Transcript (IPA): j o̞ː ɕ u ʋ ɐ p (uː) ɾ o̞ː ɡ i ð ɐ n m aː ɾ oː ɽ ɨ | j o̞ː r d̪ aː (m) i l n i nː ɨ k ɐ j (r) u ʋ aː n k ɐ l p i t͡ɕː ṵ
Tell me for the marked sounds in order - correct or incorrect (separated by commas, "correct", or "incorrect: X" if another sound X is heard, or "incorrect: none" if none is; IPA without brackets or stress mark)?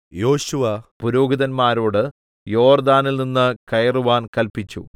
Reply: incorrect: u, incorrect: n, correct